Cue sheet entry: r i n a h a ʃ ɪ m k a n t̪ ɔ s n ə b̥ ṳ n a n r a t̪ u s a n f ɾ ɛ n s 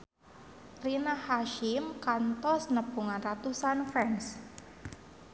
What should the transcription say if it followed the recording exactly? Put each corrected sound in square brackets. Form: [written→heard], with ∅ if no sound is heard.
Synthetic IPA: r i n a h a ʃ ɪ m k a n t̪ ɔ s n ə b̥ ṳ [n→ŋ] a n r a t̪ u s a n f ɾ ɛ n s